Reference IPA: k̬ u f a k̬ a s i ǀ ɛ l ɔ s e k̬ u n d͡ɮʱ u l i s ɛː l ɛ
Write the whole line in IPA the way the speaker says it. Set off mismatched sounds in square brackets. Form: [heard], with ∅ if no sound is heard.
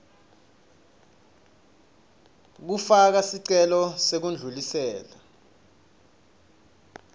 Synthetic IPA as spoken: k̬ u f a k̬ a s i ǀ ɛ l ɔ s e k̬ u n d͡ɮʱ u l i s ɛː l [a]